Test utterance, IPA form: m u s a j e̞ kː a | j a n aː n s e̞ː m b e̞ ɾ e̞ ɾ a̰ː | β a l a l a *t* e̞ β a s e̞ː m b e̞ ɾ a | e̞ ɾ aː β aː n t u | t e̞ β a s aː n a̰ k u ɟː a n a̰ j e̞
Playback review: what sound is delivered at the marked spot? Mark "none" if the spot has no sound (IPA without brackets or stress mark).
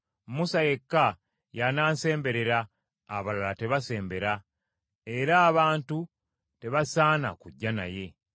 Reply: t